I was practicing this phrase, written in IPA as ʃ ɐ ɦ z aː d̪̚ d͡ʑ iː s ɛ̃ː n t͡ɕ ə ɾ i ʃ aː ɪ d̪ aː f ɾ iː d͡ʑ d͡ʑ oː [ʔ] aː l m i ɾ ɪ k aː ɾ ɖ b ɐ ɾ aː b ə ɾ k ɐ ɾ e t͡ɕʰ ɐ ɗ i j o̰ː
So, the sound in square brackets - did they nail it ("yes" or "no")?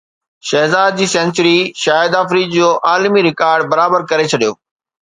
yes